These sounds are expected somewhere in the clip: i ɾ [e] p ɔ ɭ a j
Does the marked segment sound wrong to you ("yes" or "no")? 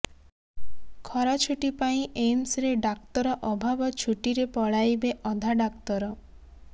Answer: no